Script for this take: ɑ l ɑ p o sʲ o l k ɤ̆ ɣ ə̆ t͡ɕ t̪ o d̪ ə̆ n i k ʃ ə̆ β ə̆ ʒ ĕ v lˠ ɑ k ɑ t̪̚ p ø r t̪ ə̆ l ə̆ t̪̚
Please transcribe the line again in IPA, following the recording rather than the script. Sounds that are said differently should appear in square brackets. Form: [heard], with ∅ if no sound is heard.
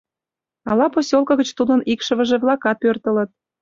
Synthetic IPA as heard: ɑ l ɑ p o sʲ o l k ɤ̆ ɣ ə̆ t͡ɕ t̪ [u] d̪ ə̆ n i k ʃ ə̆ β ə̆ ʒ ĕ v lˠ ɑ k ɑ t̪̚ p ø r t̪ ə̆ l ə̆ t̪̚